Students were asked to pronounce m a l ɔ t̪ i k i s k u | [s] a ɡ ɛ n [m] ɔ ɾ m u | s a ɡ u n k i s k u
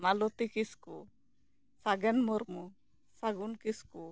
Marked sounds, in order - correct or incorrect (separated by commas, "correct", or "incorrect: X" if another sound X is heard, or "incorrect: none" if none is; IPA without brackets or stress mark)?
correct, correct